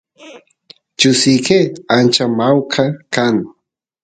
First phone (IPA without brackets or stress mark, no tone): t͡ʃ